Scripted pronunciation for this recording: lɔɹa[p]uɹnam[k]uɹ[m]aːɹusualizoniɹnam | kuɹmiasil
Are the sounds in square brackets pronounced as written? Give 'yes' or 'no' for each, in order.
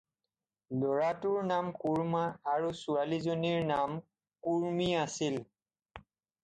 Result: no, yes, yes

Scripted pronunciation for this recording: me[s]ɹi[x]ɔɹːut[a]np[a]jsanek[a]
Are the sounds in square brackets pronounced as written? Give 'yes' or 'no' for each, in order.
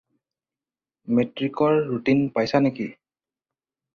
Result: no, no, no, yes, no

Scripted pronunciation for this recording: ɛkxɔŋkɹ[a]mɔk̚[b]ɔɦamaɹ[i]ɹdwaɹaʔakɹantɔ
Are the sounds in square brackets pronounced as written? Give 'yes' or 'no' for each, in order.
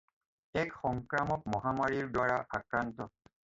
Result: yes, no, yes

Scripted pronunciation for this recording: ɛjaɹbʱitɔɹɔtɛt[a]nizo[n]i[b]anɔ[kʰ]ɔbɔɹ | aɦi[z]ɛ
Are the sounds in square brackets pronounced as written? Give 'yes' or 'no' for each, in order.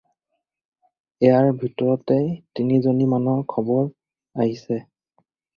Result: no, yes, no, yes, no

